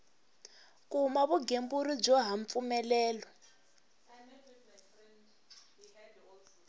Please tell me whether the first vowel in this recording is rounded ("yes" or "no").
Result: yes